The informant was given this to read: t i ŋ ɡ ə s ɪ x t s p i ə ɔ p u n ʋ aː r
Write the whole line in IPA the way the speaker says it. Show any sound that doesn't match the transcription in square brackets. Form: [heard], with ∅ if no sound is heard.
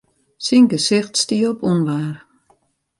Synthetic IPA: [s] i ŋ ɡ ə s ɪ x t s [t] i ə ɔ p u n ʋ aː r